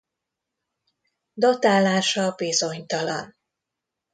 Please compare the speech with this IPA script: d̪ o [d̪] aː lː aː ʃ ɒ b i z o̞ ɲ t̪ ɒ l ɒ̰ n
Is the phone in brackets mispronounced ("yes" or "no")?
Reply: yes